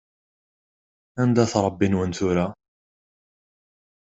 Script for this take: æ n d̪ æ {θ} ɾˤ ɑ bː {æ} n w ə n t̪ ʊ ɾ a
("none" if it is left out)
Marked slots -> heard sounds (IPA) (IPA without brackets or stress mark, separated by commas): θ, i